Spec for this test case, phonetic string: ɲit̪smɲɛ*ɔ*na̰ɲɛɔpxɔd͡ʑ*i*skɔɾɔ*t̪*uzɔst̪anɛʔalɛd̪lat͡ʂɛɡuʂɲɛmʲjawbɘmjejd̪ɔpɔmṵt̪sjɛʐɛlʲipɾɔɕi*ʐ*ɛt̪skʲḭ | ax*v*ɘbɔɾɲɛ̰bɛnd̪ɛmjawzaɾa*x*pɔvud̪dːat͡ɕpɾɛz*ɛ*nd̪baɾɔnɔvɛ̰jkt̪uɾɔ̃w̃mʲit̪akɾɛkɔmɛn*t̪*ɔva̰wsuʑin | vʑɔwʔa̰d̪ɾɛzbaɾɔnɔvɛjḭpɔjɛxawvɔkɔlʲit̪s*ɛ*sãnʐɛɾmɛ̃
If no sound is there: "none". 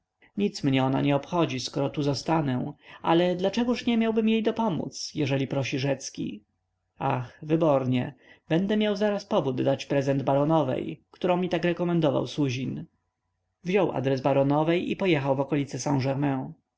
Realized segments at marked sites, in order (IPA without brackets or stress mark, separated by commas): ɔ, i, t̪, ʐ, v, s, ɛ, d̪, ɛ